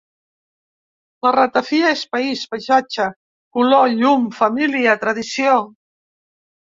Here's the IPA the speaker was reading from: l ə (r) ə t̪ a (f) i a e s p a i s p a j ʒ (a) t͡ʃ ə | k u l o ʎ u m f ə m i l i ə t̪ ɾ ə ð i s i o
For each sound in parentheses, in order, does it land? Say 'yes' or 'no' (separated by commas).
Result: yes, yes, yes